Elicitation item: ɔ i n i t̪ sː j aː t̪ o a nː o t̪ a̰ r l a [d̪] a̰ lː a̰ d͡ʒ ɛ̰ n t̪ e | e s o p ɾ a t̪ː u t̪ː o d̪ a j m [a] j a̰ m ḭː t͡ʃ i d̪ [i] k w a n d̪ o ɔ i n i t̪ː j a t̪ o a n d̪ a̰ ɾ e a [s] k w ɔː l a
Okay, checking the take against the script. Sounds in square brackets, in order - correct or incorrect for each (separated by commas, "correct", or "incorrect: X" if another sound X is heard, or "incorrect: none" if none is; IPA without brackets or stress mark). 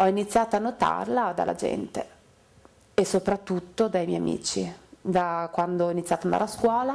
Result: correct, incorrect: ɛ, incorrect: a, correct